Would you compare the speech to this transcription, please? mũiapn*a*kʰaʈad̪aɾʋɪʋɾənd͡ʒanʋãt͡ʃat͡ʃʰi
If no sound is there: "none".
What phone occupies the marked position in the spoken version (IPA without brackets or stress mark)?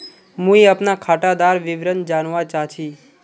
a